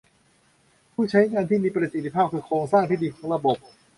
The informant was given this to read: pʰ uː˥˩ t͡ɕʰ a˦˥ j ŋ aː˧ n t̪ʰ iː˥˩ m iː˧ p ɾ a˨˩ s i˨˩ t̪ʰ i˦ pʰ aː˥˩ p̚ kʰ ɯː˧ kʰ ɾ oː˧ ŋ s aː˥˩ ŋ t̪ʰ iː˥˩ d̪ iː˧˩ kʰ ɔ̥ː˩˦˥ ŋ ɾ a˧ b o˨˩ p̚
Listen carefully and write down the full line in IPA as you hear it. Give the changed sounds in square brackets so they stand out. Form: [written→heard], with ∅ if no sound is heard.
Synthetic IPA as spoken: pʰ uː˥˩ t͡ɕʰ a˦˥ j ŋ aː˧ n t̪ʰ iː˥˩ m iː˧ p ɾ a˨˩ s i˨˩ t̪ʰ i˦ pʰ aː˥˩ p̚ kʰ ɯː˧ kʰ ɾ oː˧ ŋ s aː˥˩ ŋ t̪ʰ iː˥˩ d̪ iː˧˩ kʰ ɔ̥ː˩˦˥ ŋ ɾ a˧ b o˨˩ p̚